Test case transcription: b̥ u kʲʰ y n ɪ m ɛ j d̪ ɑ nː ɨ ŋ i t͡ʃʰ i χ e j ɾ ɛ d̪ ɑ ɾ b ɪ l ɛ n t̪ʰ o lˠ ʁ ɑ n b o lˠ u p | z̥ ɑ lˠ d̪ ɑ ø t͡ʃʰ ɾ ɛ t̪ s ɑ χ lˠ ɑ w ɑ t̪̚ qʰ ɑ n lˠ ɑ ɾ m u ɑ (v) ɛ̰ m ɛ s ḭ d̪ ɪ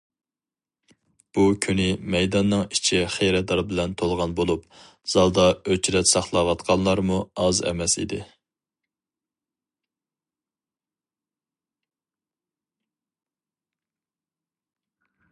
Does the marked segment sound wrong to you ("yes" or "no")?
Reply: yes